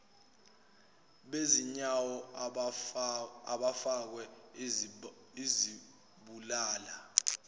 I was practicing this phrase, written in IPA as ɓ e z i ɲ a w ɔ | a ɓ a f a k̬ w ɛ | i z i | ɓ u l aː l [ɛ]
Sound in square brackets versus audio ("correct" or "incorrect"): incorrect